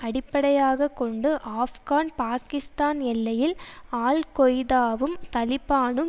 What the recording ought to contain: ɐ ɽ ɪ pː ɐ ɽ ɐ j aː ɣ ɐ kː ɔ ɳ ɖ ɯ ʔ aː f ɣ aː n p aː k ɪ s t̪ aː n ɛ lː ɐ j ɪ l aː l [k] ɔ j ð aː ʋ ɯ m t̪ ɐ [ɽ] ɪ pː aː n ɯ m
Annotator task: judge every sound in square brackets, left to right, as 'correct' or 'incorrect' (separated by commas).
correct, incorrect